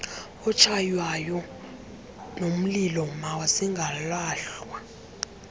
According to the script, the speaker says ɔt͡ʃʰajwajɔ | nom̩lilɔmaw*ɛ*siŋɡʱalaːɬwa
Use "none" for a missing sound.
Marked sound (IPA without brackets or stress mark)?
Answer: a